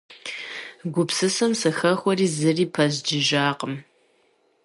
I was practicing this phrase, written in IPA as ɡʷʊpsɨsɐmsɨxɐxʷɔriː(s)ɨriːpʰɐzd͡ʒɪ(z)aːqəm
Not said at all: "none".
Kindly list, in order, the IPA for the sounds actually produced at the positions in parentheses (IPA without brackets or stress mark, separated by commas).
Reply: z, ʒ